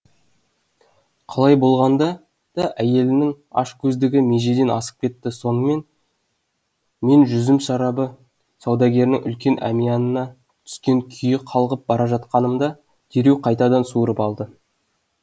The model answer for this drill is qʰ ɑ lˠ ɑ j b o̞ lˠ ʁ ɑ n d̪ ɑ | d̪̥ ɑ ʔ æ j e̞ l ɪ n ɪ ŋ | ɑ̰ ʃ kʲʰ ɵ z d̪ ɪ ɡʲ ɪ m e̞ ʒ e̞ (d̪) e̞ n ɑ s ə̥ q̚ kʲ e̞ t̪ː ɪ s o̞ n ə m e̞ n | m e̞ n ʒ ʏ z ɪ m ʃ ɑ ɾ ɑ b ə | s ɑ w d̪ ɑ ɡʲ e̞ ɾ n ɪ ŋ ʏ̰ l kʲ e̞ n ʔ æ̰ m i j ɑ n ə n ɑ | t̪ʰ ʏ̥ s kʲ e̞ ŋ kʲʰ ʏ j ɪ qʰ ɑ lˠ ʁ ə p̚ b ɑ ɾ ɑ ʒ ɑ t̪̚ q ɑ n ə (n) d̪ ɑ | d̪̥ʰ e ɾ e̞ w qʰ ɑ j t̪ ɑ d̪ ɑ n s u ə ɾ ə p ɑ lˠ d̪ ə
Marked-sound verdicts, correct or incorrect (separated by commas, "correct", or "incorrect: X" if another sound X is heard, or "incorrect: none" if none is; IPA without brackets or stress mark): correct, incorrect: m